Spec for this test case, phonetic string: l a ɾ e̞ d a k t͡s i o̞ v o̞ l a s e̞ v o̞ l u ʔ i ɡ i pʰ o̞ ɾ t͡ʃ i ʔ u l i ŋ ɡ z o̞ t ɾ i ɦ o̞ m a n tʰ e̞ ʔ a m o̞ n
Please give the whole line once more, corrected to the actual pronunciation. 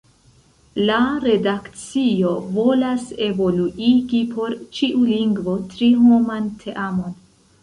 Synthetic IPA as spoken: l a ɾ e̞ d a k t͡s i o̞ v o̞ l a s e̞ v o̞ l u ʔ i ɡ i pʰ o̞ ɾ t͡ʃ i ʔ u l i ŋ ɡ v o̞ t ɾ i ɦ o̞ m a n tʰ e̞ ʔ a m o̞ n

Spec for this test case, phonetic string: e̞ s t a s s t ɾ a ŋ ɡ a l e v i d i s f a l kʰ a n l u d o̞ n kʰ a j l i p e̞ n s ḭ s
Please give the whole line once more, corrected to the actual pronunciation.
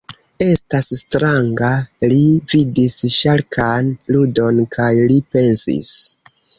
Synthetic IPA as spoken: e̞ s t a s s t ɾ a ŋ ɡ a l i v i d i s ʃ a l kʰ a n l u d o̞ n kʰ a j l i p e̞ n s ḭ s

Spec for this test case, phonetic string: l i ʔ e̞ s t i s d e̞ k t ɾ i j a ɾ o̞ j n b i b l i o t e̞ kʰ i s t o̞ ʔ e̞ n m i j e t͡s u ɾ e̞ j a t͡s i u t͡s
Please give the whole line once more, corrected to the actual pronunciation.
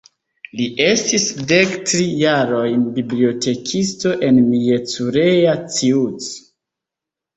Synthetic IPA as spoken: l i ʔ e̞ s t i s d e̞ k t ɾ i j a ɾ o̞ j n b i b l i o t e̞ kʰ i s t o̞ ʔ e̞ n m i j e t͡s u ɾ e̞ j a t͡s i u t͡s

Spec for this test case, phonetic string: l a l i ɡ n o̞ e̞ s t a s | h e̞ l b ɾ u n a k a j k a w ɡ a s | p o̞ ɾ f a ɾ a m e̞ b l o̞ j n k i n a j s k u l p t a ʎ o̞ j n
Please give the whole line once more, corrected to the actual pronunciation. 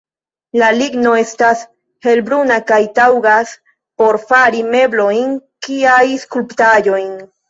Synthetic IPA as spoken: l a l i ɡ n o̞ e̞ s t a s | h e̞ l b ɾ u n a k a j t a w ɡ a s | p o̞ ɾ f a ɾ i m e̞ b l o̞ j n k i a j s k u l p t a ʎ o̞ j n

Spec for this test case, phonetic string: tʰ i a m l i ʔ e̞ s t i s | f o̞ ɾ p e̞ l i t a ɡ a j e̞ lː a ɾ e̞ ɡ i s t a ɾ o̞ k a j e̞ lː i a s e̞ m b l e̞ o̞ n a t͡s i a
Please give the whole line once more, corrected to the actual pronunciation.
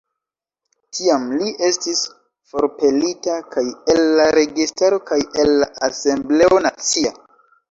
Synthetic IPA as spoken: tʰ i a m l i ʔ e̞ s t i s | f o̞ ɾ p e̞ l i t a k a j e̞ lː a ɾ e̞ ɡ i s t a ɾ o̞ k a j e̞ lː a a s e̞ m b l e̞ o̞ n a t͡s i a

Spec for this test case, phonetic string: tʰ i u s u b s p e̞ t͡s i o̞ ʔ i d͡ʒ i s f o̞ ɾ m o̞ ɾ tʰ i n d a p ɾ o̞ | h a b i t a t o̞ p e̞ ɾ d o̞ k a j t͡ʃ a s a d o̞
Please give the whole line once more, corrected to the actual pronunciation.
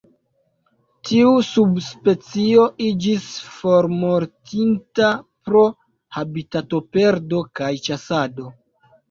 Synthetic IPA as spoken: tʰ i u s u b s p e̞ t͡s i o̞ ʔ i d͡ʒ i s f o̞ ɾ m o̞ ɾ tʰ i n t a p ɾ o̞ | h a b i t a t o̞ p e̞ ɾ d o̞ k a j t͡ʃ a s a d o̞

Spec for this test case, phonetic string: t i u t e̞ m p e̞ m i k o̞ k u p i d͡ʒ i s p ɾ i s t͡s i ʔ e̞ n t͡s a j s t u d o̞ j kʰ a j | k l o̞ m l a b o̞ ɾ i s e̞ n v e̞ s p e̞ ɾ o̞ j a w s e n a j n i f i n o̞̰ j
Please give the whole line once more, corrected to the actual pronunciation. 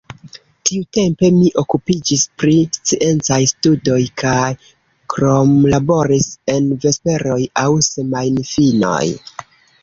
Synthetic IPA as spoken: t i u t e̞ m p e̞ m i ʔ o̞ k u p i d͡ʒ i s p ɾ i s t͡s i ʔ e̞ n t͡s a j s t u d o̞ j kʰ a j | k ɾ o̞ m l a b o̞ ɾ i s e̞ n v e̞ s p e̞ ɾ o̞ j a w s e m a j n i f i n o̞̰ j

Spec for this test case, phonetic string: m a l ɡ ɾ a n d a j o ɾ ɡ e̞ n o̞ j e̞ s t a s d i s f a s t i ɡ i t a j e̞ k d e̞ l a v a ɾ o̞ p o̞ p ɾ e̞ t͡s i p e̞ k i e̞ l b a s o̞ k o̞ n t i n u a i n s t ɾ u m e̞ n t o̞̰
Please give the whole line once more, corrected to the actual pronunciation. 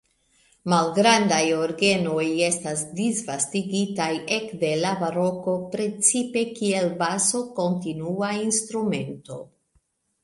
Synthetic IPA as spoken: m a l ɡ ɾ a n d a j o ɾ ɡ e̞ n o̞ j e̞ s t a s d i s v a s t i ɡ i t a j e̞ k d e̞ l a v a ɾ o̞ k o̞ p ɾ e̞ t͡s i p e̞ k i e̞ l b a s o̞ k o̞ n t i n u a i n s t ɾ u m e̞ n t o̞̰

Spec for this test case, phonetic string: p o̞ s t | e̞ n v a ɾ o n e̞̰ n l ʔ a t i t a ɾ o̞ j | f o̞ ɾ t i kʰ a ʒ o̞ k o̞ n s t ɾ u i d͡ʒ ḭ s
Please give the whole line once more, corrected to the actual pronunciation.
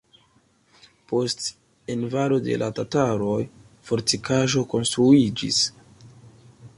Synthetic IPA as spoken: p o̞ s t | e̞ n v a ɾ o d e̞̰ l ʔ a t a t a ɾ o̞ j | f o̞ ɾ t i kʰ a ʒ o̞ k o̞ n s t ɾ u i d͡ʒ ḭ s

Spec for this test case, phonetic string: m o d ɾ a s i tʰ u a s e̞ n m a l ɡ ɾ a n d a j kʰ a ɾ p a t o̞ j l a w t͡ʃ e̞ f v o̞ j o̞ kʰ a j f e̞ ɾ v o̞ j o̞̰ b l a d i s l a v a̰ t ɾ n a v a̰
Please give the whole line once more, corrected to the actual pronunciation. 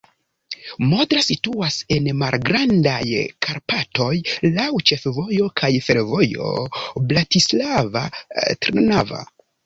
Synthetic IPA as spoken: m o d ɾ a s i t u a s e̞ n m a l ɡ ɾ a n d a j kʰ a ɾ p a t o̞ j l a w t͡ʃ e̞ f v o̞ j o̞ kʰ a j f e̞ ɾ v o̞ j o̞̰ b l a t i s l a v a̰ t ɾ n a v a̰

